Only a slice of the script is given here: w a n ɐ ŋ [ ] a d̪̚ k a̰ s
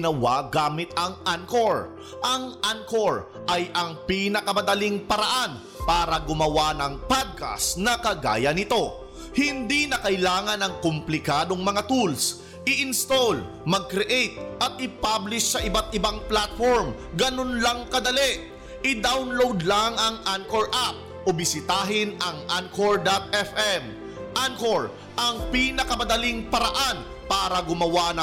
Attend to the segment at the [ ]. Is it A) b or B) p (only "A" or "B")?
B